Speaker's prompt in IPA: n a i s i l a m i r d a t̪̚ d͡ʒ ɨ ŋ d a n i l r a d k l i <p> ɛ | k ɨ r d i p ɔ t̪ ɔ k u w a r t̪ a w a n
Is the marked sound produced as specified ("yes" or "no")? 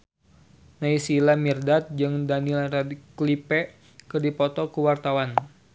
yes